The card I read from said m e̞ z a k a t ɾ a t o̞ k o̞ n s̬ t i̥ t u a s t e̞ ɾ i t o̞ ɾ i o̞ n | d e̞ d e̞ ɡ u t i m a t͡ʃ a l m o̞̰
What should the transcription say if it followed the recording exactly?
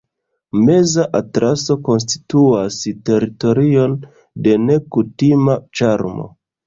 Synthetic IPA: m e̞ z a ʔ a t ɾ a s o̞ k o̞ n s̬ t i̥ t u a s t e̞ ɾ i t o̞ ɾ i o̞ n | d e̞ n e̞ k u t i m a t͡ʃ a ɾ m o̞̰

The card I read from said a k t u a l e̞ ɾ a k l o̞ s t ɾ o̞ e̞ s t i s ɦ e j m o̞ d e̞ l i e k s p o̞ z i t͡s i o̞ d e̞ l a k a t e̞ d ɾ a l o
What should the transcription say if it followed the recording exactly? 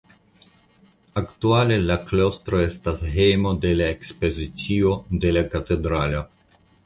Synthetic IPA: a k t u a l e̞ l a k l o̞ s t ɾ o̞ e̞ s t a s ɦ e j m o̞ d e̞ l a e k s p o̞ z i t͡s i o̞ d e̞ l a k a t e̞ d ɾ a l o

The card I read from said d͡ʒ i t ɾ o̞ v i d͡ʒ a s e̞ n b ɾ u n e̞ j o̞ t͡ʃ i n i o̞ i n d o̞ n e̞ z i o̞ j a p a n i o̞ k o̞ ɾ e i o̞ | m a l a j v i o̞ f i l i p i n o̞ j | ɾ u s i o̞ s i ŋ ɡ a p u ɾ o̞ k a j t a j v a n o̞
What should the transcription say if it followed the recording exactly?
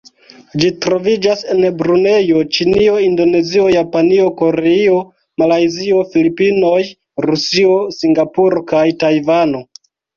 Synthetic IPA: d͡ʒ i t ɾ o̞ v i d͡ʒ a s e̞ n b ɾ u n e̞ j o̞ t͡ʃ i n i o̞ i n d o̞ n e̞ z i o̞ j a p a n i o̞ k o̞ ɾ e i o̞ | m a l a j z i o̞ f i l i p i n o̞ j | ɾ u s i o̞ s i ŋ ɡ a p u ɾ o̞ k a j t a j v a n o̞

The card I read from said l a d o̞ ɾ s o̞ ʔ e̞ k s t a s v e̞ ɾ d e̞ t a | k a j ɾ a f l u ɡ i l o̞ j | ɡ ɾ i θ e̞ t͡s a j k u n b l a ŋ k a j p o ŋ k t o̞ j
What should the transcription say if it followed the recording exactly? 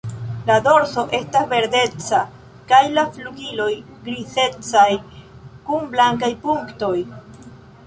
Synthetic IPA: l a d o̞ ɾ s o̞ ʔ e̞ s t a s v e̞ ɾ d e̞ t͡s a | k a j l a f l u ɡ i l o̞ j | ɡ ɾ i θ e̞ t͡s a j k u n b l a ŋ k a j p u ŋ k t o̞ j

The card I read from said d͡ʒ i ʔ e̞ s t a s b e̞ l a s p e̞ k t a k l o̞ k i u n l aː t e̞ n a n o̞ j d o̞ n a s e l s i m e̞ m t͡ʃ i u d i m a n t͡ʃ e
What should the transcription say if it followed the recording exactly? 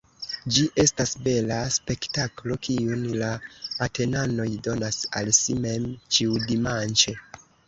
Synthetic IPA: d͡ʒ i ʔ e̞ s t a s b e̞ l a s p e̞ k t a k l o̞ k i u n l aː t e̞ n a n o̞ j d o̞ n a s a l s i m e̞ m t͡ʃ i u d i m a n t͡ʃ e

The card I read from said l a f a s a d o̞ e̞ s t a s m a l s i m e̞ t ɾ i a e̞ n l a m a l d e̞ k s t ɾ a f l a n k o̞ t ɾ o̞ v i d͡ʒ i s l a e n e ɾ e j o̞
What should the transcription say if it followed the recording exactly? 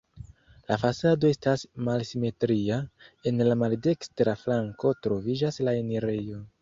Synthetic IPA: l a f a s a d o̞ e̞ s t a s m a l s i m e̞ t ɾ i a e̞ n l a m a l d e̞ k s t ɾ a f l a ŋ k o̞ t ɾ o̞ v i d͡ʒ a s l a e n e ɾ e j o̞

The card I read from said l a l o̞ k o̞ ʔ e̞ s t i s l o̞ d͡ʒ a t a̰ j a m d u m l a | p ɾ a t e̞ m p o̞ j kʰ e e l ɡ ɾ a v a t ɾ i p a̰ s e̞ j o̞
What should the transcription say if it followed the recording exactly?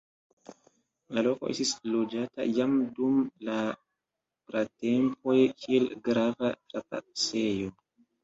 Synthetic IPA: l a l o̞ k o̞ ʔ e̞ s t i s l o̞ d͡ʒ a t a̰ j a m d u m l a | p ɾ a t e̞ m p o̞ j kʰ i e l ɡ ɾ a v a t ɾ a p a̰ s e̞ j o̞

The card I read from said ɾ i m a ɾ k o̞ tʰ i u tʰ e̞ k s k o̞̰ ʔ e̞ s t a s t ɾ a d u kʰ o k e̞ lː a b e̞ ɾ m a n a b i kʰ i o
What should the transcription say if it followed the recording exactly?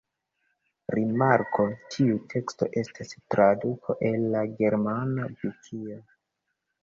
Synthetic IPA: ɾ i m a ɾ k o̞ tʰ i u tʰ e̞ k s t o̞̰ ʔ e̞ s t a s t ɾ a d u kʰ o ʔ e̞ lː a ɡ e̞ ɾ m a n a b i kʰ i o

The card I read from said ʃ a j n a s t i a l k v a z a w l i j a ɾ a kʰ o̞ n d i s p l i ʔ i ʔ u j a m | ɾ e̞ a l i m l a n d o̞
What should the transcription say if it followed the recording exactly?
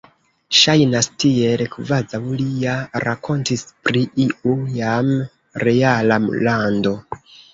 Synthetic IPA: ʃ a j n a s t i e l k v a z a w l i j a ɾ a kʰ o̞ n t i s p ɾ i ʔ i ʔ u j a m | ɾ e̞ a l a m l a n d o̞

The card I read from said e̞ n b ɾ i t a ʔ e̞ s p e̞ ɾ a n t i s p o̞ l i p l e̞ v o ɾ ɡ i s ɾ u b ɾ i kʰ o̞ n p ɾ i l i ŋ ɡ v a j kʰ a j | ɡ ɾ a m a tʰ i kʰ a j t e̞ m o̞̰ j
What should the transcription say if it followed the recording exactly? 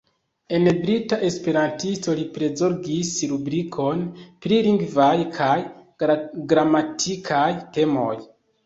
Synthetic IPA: e̞ n b ɾ i t a ʔ e̞ s p e̞ ɾ a n t i s t o̞ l i p ɾ e̞ z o ɾ ɡ i s ɾ u b ɾ i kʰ o̞ n p ɾ i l i ŋ ɡ v a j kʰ a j | ɡ ɾ a m a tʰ i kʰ a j t e̞ m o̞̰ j

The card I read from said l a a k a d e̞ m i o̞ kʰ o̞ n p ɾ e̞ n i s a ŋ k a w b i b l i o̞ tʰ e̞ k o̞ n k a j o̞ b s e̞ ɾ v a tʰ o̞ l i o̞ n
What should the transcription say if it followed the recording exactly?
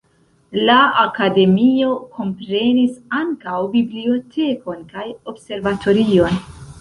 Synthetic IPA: l a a k a d e̞ m i o̞ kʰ o̞ m p ɾ e̞ n i s a ŋ k a w b i b l i o̞ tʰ e̞ k o̞ n k a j o̞ b s e̞ ɾ v a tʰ o̞ ɾ i o̞ n

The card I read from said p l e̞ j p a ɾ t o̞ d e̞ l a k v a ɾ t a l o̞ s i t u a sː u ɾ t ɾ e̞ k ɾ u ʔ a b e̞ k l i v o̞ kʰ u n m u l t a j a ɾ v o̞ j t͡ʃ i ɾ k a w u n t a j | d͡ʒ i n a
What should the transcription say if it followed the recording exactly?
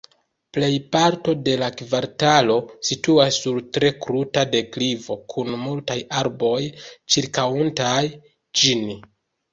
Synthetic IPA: p l e̞ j p a ɾ t o̞ d e̞ l a k v a ɾ t a l o̞ s i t u a sː u ɾ t ɾ e̞ k ɾ u t a d e̞ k l i v o̞ kʰ u n m u l t a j a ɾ b o̞ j t͡ʃ i ɾ k a w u n t a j | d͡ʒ i n i

